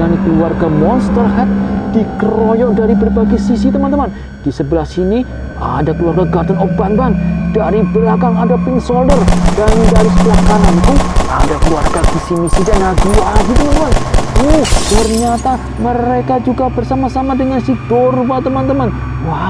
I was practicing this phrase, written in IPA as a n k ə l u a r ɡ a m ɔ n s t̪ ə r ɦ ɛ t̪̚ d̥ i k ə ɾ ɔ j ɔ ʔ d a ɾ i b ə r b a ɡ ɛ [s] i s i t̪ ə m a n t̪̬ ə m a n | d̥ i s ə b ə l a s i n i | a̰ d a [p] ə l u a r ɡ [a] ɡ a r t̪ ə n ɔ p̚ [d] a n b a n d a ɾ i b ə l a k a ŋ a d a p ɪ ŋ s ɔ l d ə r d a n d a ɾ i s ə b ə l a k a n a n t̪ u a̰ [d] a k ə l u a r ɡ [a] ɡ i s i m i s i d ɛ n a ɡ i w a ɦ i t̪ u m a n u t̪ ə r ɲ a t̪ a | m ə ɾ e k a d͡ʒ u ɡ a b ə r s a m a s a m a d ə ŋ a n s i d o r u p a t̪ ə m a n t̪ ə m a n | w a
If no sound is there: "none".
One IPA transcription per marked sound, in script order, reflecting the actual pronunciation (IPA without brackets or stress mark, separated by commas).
s, k, a, b, d, a